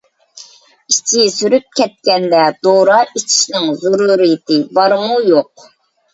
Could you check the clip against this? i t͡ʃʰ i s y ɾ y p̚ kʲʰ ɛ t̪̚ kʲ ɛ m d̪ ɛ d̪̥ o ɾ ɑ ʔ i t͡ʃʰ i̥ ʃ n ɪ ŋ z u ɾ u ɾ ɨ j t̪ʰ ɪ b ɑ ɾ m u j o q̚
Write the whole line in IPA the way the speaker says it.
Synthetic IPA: i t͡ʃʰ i s y ɾ y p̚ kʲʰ ɛ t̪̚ kʲ ɛ n d̪ ɛ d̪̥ o ɾ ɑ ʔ i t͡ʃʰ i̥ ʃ n ɪ ŋ z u ɾ u ɾ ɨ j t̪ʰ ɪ b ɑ ɾ m u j o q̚